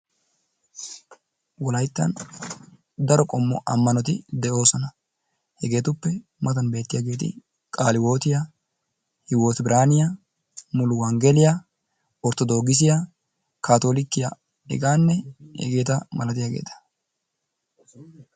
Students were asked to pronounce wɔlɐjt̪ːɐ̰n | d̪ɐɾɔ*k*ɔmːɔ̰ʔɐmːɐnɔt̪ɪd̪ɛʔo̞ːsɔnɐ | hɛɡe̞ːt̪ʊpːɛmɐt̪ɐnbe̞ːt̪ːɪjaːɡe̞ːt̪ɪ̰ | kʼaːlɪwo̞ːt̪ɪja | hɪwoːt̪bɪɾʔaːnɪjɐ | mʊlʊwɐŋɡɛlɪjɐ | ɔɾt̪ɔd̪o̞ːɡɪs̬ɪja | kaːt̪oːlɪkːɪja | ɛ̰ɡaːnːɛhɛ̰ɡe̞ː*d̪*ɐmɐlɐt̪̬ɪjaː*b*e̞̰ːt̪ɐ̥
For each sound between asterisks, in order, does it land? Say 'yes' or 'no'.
no, no, no

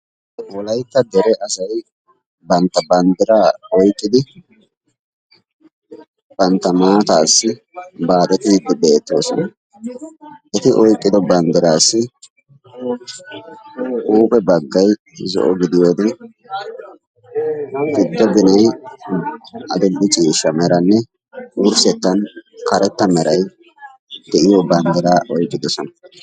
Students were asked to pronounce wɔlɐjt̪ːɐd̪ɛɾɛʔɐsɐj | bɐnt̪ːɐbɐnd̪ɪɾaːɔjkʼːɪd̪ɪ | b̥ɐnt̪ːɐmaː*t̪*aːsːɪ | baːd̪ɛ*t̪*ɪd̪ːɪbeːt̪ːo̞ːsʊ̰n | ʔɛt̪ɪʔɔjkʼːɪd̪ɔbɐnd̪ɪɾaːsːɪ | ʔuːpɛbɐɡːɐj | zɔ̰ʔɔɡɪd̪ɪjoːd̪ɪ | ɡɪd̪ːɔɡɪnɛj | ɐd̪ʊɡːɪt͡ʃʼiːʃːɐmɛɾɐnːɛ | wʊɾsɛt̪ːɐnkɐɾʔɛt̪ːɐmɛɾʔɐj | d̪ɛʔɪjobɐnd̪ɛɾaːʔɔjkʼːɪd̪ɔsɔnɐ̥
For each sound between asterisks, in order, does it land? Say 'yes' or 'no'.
yes, yes

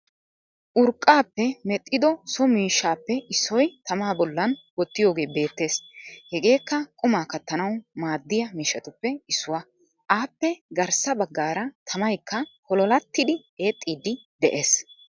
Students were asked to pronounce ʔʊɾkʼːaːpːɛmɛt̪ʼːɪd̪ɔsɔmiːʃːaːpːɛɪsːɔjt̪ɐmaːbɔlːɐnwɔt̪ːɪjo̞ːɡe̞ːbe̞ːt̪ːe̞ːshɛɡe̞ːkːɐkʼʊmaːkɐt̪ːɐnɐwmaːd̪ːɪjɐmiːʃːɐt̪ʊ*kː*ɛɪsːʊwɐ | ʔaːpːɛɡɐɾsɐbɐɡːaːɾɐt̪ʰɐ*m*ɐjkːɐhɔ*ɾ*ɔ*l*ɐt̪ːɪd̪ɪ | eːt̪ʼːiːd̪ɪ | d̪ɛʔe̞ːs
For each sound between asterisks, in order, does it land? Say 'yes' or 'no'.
no, yes, no, yes

